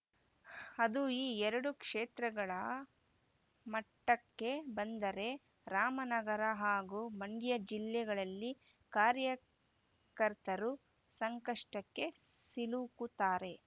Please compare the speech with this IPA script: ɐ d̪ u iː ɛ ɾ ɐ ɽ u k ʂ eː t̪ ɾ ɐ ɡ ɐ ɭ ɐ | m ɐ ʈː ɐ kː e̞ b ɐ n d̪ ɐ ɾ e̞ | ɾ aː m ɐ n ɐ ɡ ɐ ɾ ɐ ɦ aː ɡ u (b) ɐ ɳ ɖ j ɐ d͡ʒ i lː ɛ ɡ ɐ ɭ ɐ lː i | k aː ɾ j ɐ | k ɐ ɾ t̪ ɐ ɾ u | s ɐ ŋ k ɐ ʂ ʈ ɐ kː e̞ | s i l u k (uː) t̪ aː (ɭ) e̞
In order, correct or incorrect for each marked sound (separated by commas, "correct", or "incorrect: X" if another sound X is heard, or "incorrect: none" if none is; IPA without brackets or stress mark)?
incorrect: m, incorrect: u, incorrect: ɾ